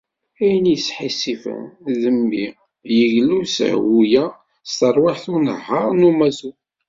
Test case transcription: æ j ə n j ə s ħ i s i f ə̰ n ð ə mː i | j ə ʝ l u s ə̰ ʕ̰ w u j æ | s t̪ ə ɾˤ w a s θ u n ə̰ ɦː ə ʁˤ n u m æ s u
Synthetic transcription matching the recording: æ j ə n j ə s ħ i s i f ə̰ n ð ə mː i | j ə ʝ l u s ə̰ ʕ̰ w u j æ | s t̪ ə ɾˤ w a ħ θ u n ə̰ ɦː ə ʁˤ n u m æ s u

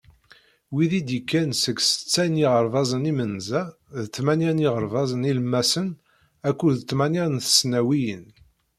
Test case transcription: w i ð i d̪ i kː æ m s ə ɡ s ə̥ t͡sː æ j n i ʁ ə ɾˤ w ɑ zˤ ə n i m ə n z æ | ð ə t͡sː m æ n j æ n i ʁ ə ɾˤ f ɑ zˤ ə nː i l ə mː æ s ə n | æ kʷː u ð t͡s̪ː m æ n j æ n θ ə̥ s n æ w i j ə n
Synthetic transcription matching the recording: w i ð i d̪ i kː æ n s ə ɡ s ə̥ t͡sː æ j n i ʁ ə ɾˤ v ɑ zˤ ə n i m ə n z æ | ð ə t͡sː m æ n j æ n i ʁ ə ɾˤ v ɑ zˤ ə n i l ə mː æ s ə n | æ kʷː u ð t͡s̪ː m æ n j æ n θ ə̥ s n æ w i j ə n

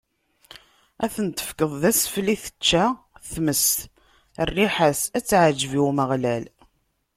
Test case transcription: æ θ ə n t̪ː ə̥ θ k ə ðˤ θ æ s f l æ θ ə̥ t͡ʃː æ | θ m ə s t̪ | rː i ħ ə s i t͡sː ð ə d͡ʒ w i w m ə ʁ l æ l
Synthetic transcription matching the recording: æ θ ə n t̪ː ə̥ f k ə ðˤ ð æ s f l i θ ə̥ t͡ʃː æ | θ m ə s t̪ | rː i ħ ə s æ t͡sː ʕ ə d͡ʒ v i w m ə ʁ l æ l

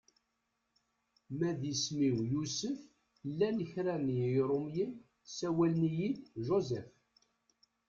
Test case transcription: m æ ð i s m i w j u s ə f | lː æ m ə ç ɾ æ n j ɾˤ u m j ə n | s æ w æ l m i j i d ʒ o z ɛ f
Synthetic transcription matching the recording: m æ ð i s m i w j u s ə f | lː æ n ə ç ɾ æ n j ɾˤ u m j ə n | s æ w æ l n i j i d ʒ o z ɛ f

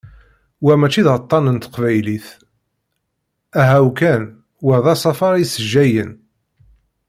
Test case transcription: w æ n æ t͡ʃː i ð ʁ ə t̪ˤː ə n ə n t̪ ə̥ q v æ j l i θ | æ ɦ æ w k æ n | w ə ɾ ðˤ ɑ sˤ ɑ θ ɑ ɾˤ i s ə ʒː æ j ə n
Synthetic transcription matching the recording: w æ m æ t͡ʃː i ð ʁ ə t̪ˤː ɑ n ə n t̪ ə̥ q v æ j l i θ | æ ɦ æ w k æ n | w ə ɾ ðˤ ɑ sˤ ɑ f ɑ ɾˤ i s ə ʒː æ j ə n

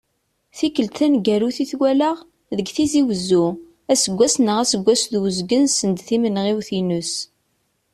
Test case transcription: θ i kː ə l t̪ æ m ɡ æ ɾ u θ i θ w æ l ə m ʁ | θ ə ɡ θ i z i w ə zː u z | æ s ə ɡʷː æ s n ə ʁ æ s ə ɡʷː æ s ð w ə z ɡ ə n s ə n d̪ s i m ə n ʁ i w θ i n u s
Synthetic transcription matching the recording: θ i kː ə l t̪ æ n ɡ æ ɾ u θ i θ w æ l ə ʁ | ð ə ɡ θ i z i w ə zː u | æ s ə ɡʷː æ s n ə ʁ æ s ə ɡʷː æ s ð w ə z ɡ ə n s ə n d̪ θ i m ə n ʁ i w θ i n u s

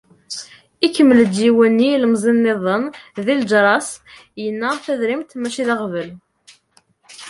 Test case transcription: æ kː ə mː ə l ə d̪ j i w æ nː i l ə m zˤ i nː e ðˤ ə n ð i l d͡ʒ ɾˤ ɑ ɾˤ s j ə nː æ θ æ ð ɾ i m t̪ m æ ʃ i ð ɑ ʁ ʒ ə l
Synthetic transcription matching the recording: i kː ə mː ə l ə d̪ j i w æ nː i l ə m zˤ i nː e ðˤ ə n ð i l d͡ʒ ɾˤ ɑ s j ə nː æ θ æ ð ɾ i m t̪ m æ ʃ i ð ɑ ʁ v ə l

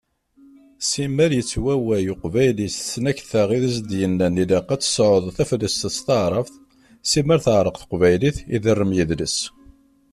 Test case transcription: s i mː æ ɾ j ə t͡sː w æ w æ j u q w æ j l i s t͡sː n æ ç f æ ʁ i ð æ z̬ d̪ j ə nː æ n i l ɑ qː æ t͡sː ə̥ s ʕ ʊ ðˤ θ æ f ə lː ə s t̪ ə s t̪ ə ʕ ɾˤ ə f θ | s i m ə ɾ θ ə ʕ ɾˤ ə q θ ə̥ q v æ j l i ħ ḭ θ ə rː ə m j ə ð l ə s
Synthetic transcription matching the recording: s i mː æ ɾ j ə t͡sː w æ w æ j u q v æ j l i s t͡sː n æ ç θ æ ʁ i ð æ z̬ d̪ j ə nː æ n i l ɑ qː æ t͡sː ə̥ s ʕ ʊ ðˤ θ æ f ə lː ə s t̪ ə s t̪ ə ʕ ɾˤ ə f θ | s i m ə ɾ θ ə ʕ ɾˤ ə q θ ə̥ q v æ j l i θ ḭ ð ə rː ə m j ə ð l ə s

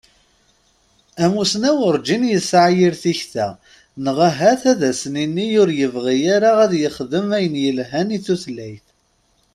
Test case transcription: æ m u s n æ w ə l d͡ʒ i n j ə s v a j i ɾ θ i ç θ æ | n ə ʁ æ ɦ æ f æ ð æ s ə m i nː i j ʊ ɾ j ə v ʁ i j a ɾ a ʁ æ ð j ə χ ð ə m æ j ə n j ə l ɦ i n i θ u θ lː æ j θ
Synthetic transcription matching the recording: æ m u s n æ w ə ɾ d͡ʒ i n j ə s ʕ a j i ɾ θ i ç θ æ | n ə ʁ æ ɦ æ θ æ ð æ s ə n i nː i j ʊ ɾ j ə v ʁ i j a ɾ a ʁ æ ð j ə χ ð ə m æ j ə n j ə l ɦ æ n i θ u θ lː æ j θ

